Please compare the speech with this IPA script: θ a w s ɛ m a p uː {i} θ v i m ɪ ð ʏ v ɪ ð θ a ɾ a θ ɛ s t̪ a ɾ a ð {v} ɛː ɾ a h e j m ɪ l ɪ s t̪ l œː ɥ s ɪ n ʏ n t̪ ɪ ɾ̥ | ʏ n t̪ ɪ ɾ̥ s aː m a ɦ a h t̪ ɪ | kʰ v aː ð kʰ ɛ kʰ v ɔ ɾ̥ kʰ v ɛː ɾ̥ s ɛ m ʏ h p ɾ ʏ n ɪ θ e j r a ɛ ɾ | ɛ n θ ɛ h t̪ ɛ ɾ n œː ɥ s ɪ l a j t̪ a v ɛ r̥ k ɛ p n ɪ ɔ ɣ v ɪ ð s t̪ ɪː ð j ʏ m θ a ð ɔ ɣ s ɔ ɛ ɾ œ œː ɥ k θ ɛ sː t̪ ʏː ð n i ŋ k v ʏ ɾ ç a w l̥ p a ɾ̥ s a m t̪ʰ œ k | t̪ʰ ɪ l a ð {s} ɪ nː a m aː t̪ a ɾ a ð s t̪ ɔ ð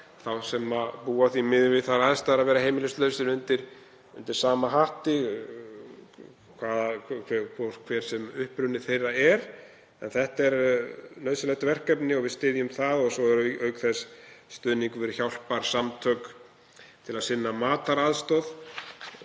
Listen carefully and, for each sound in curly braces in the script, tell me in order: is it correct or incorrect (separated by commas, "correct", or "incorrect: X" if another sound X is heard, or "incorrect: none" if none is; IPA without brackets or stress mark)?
incorrect: a, correct, correct